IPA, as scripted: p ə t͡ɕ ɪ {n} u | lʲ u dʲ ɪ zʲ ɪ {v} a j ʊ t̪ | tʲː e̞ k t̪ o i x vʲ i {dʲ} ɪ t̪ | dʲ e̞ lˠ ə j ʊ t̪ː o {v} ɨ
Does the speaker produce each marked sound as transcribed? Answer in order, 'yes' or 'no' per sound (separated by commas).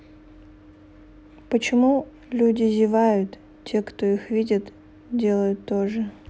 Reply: no, yes, yes, no